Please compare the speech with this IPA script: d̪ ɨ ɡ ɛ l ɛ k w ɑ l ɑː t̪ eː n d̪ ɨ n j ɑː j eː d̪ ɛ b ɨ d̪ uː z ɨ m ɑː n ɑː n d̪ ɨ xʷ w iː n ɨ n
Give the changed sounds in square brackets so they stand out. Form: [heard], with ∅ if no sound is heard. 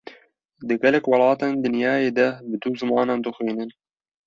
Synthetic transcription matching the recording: d̪ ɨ ɡ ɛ l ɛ k w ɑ l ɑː t̪ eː n d̪ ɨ n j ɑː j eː d̪ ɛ b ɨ d̪ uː z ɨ m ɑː n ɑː n d̪ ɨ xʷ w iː n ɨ n